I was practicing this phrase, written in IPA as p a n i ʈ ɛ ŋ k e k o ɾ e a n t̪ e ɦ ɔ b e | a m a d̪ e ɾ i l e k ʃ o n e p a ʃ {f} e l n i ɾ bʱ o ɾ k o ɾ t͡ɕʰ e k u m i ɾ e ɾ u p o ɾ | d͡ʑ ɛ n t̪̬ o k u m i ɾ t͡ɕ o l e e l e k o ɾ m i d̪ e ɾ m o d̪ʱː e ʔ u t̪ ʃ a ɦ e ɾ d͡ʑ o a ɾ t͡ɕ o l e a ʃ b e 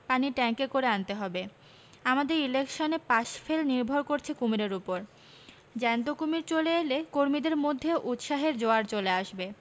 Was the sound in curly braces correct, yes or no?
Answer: yes